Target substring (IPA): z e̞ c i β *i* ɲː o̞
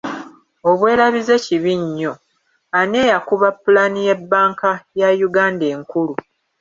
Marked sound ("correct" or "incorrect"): correct